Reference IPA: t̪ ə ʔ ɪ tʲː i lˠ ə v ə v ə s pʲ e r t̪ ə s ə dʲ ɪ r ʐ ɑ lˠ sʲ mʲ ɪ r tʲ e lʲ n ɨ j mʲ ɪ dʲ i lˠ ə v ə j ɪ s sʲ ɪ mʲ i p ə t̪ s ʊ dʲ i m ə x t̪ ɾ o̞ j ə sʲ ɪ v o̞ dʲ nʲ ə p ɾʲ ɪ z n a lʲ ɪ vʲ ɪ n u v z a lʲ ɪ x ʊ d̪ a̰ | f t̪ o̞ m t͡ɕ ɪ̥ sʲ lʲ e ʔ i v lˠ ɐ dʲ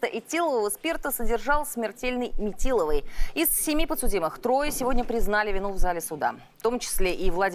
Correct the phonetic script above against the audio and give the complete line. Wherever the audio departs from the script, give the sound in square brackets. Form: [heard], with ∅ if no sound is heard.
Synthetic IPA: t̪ ə ʔ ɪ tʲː i lˠ ə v ə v ə s pʲ e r t̪ ə s ə dʲ ɪ r ʐ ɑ lˠ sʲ mʲ ɪ r tʲ e lʲ n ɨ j mʲ ɪ [tʲ] i lˠ ə v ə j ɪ s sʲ ɪ mʲ i p ə t̪ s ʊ dʲ i m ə x t̪ ɾ o̞ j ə sʲ ɪ v o̞ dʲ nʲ ə p ɾʲ ɪ z n a lʲ ɪ vʲ ɪ n u v z a lʲ ɪ [s] ʊ d̪ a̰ | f t̪ o̞ m t͡ɕ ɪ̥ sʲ lʲ e ʔ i v lˠ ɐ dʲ